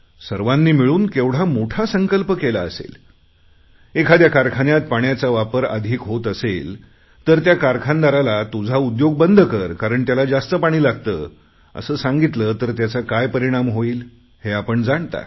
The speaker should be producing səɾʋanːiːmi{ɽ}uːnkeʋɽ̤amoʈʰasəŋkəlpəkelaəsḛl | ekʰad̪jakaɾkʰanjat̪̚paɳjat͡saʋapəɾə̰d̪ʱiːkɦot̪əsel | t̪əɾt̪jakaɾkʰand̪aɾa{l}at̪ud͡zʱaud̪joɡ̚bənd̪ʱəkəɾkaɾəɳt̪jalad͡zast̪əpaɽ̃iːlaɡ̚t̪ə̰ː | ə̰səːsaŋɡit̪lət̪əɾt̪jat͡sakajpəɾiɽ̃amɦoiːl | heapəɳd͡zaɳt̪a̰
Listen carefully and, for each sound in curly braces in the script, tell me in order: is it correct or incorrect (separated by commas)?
incorrect, correct